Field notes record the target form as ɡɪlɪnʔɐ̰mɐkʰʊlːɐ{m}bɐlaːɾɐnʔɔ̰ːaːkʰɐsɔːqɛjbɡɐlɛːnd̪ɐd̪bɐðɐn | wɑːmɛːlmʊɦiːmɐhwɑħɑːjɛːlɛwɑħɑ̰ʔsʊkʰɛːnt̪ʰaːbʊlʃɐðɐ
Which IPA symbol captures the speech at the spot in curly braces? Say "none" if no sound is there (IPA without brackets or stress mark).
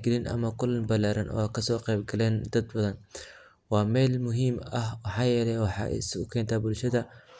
n